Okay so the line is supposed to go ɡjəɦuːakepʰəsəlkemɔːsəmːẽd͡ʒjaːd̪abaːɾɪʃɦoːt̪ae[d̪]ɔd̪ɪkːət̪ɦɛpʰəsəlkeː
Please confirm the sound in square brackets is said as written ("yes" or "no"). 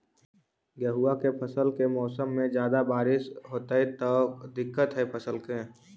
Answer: no